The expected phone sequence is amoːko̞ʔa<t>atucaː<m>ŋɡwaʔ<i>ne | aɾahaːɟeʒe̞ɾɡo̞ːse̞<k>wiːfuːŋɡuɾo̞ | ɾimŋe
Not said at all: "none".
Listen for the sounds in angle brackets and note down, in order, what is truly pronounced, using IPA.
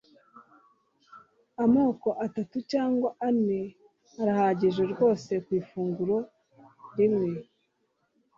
t, none, a, k

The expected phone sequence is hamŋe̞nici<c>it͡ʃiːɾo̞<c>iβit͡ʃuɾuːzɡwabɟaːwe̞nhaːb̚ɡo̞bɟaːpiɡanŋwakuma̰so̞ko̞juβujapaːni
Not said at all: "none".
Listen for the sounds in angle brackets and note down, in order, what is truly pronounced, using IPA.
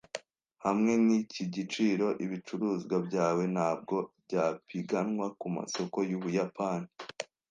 ɟ, ʔ

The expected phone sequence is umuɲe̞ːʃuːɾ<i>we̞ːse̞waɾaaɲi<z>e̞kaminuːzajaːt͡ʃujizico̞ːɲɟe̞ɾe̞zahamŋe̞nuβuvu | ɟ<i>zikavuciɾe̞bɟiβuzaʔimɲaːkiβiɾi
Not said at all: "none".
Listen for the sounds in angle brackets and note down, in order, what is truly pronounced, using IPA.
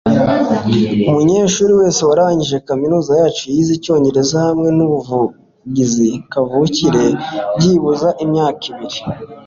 i, ʒ, i

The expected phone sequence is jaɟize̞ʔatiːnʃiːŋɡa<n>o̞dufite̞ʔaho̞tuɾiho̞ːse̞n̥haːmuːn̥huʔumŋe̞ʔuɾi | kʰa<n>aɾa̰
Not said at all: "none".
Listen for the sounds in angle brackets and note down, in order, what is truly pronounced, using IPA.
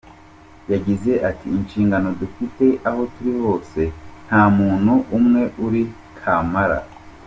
n, m

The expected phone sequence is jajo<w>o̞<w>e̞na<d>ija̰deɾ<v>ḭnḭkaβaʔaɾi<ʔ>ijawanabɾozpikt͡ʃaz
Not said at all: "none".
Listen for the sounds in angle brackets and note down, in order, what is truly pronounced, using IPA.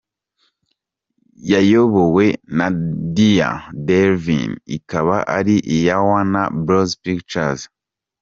β, w, d, v, ʔ

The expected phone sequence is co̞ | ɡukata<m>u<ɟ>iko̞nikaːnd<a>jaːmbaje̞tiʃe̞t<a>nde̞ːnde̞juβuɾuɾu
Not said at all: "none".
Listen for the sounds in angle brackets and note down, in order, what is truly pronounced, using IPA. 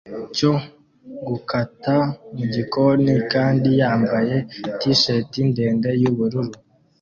m, ɟ, i, i

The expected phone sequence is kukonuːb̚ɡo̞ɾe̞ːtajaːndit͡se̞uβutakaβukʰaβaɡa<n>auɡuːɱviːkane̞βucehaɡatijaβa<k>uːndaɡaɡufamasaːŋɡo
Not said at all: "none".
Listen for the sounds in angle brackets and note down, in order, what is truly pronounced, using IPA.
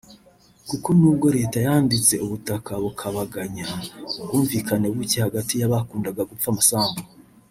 ɲ, k

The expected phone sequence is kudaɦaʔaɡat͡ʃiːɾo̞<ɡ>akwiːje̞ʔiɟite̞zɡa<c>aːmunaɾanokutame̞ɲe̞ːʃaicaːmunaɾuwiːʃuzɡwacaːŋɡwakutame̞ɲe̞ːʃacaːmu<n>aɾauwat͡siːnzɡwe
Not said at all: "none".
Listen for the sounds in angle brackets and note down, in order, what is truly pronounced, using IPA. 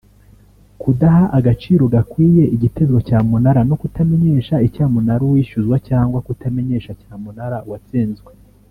ɡ, c, n

